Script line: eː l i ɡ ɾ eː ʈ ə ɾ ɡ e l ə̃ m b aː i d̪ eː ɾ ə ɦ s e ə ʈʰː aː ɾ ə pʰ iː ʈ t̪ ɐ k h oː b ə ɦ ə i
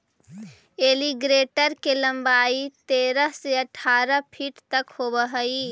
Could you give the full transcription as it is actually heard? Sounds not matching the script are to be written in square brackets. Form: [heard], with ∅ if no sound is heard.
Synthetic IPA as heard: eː l i ɡ ɾ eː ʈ ə ɾ [k] e l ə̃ m b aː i [t̪] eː ɾ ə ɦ s e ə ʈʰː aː ɾ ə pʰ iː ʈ t̪ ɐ k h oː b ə ɦ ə i